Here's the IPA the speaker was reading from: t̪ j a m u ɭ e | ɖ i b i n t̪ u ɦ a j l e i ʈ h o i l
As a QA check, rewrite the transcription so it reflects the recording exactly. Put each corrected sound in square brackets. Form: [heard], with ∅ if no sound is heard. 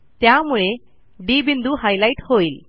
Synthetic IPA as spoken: t̪ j a m u ɭ e | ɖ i b i n [d̪] u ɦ a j l [a] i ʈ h o i l